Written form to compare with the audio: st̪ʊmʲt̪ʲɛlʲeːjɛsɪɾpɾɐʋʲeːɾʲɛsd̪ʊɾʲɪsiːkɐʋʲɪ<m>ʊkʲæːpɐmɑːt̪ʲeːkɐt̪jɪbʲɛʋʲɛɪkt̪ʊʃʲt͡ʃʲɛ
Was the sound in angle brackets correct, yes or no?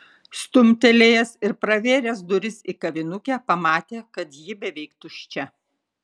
no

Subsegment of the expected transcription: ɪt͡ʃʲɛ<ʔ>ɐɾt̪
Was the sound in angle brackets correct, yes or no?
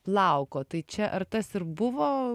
yes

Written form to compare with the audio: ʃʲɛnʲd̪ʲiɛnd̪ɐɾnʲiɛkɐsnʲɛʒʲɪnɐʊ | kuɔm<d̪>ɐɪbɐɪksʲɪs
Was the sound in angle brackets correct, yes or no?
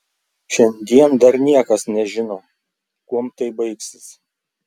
no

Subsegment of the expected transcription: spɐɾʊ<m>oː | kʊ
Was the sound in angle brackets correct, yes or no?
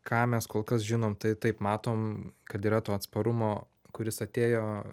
yes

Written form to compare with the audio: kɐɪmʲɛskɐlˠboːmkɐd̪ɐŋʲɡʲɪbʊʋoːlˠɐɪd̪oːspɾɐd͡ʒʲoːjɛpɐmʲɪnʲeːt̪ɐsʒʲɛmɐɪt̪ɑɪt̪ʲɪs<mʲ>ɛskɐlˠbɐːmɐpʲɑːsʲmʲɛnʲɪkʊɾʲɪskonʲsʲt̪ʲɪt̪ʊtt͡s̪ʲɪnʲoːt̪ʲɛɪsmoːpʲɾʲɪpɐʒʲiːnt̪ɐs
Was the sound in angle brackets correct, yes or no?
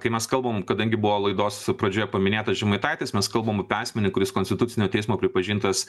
yes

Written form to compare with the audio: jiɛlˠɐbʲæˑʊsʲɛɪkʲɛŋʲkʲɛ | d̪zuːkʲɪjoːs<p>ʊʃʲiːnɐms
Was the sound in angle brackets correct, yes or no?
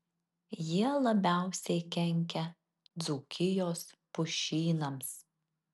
yes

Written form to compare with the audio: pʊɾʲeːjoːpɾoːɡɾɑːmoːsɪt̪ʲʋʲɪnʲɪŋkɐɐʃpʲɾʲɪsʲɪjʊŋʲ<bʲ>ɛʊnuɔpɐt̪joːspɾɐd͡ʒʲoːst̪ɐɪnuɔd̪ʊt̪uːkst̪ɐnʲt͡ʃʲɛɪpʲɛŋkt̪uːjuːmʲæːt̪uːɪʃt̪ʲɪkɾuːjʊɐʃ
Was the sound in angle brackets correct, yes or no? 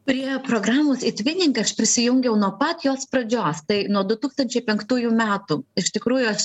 no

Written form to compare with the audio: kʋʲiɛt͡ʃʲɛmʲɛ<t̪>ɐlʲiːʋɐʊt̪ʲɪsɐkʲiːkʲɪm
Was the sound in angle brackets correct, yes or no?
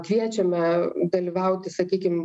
no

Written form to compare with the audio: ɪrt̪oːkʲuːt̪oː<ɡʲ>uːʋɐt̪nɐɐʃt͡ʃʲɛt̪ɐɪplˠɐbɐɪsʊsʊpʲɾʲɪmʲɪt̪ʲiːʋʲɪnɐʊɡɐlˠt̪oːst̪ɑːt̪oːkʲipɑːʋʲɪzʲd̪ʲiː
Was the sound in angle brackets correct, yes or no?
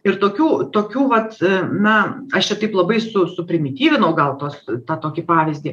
no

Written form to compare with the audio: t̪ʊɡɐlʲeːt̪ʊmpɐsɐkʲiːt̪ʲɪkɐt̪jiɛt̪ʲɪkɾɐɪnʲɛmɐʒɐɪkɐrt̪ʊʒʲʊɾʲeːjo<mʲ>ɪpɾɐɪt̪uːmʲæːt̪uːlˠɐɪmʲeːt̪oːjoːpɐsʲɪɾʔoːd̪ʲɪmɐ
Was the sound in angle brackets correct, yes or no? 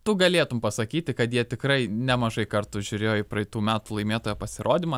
no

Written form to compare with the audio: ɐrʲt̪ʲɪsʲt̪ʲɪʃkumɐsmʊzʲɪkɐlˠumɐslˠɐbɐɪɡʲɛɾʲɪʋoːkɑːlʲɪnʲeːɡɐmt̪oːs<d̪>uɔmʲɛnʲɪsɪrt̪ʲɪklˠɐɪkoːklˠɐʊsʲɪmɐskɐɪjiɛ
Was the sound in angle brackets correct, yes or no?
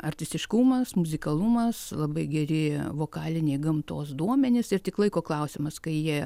yes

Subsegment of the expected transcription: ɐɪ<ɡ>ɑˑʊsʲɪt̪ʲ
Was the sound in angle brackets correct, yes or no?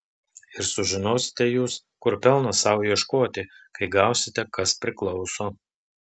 yes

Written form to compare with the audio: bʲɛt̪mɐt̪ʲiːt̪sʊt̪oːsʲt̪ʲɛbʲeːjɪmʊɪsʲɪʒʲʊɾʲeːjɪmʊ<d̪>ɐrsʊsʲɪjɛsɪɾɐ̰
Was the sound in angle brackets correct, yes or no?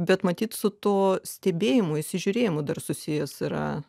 yes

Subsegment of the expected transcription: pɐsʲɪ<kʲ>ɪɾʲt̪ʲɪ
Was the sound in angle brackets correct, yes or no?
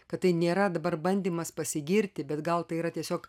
no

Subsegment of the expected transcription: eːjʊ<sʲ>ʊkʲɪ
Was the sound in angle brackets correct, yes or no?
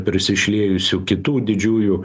yes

